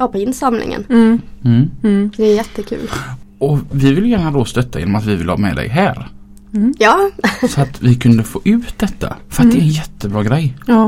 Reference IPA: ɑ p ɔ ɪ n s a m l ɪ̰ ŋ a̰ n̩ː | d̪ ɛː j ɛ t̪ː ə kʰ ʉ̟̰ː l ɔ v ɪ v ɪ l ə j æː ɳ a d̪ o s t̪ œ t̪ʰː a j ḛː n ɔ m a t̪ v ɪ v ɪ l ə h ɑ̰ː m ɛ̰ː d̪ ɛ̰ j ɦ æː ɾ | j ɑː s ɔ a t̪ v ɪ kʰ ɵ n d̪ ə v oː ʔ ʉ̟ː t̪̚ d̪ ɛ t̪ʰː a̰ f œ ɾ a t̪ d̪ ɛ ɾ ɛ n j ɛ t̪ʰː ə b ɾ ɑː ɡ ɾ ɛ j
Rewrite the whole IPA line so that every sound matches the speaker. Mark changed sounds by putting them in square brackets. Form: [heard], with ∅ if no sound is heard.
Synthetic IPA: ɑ p ɔ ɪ n s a m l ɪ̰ ŋ [ə̰] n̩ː | d̪ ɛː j ɛ t̪ː ə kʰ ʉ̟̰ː l ɔ v ɪ v ɪ l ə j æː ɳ a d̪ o s t̪ œ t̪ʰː a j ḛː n ɔ m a t̪ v ɪ v ɪ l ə h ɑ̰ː m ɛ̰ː d̪ ɛ̰ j ɦ æː ɾ | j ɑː s ɔ a t̪ v ɪ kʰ ɵ n d̪ ə [f] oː ʔ ʉ̟ː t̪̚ d̪ ɛ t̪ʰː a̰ f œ ɾ a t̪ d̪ ɛ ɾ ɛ n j ɛ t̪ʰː ə b ɾ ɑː ɡ ɾ ɛ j